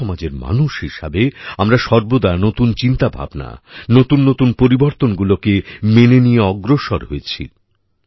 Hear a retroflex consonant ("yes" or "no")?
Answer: no